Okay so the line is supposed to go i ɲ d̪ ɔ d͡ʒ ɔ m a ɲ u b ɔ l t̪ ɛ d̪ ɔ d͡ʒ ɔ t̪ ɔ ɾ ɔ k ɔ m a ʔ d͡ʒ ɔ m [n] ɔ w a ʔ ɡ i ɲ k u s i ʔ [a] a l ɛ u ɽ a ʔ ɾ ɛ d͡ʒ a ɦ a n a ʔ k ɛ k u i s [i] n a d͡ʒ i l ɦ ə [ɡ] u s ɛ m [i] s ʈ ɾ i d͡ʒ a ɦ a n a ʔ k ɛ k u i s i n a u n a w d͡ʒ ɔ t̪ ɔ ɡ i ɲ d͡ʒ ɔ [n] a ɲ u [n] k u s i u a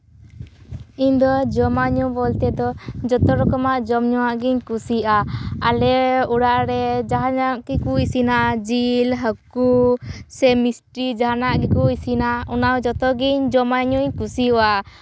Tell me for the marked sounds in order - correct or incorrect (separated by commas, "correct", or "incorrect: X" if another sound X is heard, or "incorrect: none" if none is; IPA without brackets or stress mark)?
incorrect: ɲ, correct, correct, incorrect: k, correct, incorrect: m, incorrect: ɲ